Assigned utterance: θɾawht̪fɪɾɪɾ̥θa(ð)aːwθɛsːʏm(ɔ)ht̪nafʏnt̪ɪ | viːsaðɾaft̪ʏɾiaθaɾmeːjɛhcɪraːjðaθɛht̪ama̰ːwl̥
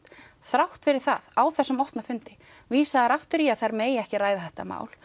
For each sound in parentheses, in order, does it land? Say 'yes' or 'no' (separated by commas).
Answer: yes, yes